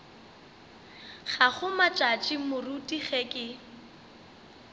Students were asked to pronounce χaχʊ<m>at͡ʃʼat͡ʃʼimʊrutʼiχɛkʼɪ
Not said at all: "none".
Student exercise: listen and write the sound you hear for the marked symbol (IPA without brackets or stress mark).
m